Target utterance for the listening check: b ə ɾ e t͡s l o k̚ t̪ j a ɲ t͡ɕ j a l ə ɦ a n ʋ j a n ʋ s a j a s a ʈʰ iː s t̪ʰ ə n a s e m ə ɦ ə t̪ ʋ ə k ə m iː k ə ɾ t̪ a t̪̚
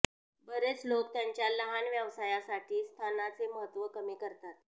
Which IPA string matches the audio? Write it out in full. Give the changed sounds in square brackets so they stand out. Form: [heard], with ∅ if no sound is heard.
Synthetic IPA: b ə ɾ e t͡s l o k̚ t̪ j a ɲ t͡ɕ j a l ə ɦ a n ʋ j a [∅] ʋ s a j a s a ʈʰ iː s t̪ʰ [a] n a [t͡s] e m ə ɦ ə t̪ ʋ ə k ə m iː k ə ɾ t̪ a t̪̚